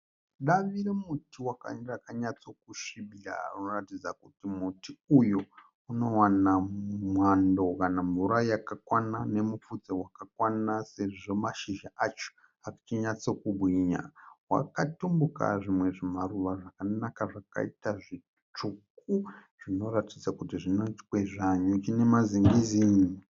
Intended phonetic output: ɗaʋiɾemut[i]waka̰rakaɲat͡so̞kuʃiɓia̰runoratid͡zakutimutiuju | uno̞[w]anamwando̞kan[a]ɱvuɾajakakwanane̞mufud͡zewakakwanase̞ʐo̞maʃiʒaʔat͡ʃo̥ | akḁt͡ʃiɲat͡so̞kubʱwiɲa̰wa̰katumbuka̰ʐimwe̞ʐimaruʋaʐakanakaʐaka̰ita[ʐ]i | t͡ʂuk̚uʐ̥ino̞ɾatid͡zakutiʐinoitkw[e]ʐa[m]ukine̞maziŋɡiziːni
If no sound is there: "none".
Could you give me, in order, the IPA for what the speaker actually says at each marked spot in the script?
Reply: i, w, a, ʐ, e, ɲ

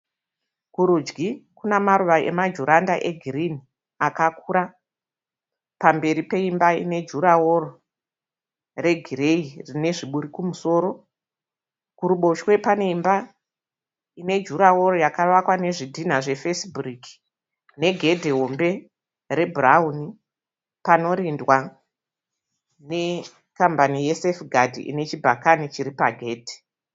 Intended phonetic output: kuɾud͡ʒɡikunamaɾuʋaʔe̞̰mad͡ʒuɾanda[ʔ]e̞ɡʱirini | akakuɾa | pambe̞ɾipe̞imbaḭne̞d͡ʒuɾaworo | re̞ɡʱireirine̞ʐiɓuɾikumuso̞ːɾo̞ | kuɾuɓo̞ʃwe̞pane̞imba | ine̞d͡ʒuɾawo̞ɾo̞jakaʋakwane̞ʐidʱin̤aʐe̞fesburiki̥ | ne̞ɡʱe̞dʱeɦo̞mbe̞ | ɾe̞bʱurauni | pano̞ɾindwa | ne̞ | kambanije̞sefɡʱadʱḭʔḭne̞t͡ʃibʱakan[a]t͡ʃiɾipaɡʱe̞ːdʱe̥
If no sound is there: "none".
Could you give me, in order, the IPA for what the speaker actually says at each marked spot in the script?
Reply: ʔ, i

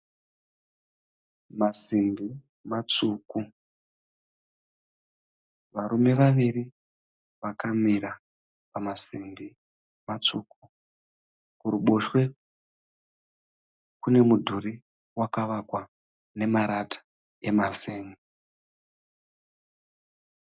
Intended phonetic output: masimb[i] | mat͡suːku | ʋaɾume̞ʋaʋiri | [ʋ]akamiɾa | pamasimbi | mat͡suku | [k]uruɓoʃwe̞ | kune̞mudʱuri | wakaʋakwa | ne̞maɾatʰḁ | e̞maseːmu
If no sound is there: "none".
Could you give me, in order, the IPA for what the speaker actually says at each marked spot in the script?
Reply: i, ʋ, k

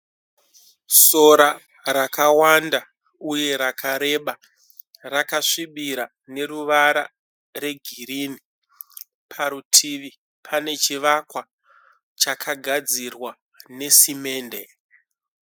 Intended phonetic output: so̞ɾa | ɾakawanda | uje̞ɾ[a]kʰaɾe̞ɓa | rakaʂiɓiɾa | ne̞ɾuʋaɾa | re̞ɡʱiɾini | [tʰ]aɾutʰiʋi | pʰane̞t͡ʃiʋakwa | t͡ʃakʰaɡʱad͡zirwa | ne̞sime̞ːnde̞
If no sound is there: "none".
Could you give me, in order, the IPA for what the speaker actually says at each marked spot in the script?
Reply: a, pʰ

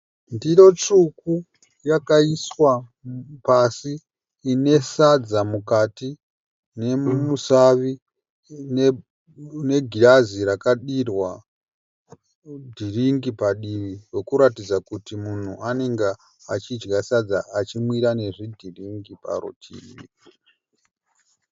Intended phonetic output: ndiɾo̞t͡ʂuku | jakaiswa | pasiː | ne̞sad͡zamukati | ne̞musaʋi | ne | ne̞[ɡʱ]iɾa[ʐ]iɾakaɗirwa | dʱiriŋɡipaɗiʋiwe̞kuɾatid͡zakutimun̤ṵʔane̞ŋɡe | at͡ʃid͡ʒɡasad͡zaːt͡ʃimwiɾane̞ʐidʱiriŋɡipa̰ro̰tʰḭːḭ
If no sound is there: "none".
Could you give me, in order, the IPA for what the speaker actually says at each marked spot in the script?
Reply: ɡʱ, z

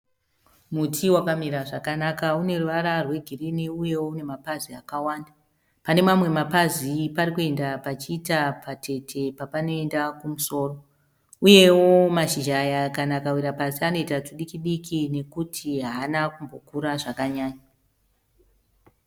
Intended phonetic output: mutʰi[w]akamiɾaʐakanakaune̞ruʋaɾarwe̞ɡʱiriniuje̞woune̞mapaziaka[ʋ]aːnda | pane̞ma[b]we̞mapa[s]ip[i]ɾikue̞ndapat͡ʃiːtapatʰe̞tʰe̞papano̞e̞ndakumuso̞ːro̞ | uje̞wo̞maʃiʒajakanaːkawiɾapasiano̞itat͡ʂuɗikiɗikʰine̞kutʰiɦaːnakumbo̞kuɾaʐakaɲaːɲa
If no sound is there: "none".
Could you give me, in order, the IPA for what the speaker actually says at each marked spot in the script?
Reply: w, w, m, z, a

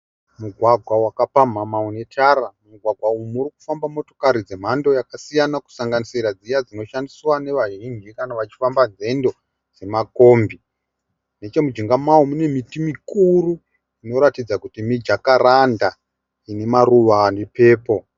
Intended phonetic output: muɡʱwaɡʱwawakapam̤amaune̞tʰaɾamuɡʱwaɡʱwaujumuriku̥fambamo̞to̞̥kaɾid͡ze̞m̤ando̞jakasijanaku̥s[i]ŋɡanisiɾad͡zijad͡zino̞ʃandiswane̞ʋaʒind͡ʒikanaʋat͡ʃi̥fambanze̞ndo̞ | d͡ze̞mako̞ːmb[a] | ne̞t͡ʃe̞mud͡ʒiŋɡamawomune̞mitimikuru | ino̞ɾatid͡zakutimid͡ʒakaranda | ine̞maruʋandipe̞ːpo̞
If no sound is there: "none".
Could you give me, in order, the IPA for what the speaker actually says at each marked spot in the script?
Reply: a, i

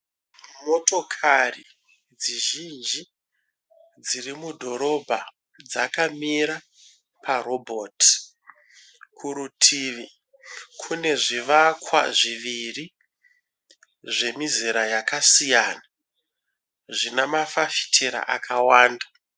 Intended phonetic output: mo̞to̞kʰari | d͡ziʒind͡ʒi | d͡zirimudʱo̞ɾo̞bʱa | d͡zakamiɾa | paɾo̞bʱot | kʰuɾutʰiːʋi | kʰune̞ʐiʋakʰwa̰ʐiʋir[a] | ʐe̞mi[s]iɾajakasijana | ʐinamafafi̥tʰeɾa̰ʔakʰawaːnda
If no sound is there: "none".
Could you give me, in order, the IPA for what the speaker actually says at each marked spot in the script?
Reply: i, z

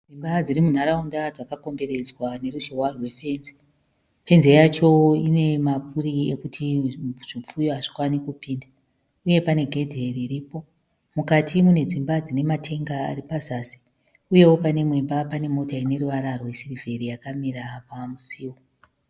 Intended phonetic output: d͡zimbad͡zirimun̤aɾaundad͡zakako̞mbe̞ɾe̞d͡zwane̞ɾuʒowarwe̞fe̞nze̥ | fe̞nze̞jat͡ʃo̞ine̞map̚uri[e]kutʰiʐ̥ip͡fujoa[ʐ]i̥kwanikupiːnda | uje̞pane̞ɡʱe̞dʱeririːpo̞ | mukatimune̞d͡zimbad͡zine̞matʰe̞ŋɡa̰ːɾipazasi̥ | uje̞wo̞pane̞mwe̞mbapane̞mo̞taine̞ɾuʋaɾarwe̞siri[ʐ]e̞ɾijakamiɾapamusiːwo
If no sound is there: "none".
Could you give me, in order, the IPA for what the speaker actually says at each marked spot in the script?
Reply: e, ʐ, v

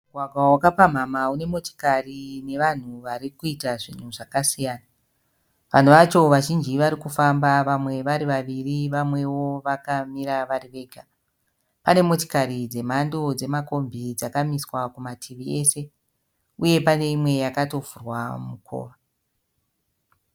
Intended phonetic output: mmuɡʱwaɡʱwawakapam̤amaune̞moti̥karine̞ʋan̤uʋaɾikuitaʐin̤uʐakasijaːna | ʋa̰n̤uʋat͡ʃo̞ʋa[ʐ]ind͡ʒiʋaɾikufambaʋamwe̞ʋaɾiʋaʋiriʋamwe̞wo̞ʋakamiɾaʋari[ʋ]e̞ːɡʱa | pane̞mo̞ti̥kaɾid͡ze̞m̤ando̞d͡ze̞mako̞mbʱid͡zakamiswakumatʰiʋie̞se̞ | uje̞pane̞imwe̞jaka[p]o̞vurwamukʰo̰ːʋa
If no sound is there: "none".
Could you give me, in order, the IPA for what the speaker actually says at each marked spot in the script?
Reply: ʒ, ʋ, t

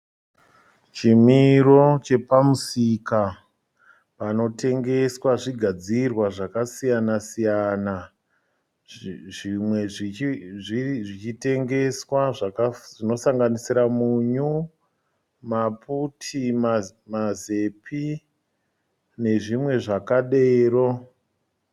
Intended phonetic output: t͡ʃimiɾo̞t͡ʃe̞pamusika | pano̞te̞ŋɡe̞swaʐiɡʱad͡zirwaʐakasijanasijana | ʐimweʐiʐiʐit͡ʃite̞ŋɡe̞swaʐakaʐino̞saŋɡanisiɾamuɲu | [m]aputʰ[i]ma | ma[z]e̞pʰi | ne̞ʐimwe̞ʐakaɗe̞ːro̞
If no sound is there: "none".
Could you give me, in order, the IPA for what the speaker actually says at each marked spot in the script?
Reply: m, i, z

